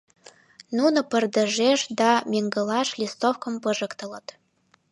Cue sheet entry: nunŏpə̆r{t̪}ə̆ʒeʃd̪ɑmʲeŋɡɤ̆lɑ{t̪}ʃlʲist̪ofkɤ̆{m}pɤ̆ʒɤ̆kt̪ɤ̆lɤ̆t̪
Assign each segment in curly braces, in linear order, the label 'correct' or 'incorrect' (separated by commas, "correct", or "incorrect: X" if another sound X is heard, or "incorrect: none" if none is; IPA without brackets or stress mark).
incorrect: d̪, incorrect: none, correct